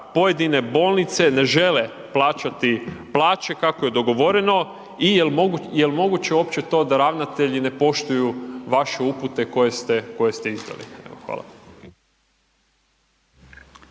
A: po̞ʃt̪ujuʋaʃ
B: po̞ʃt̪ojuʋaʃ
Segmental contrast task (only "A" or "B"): A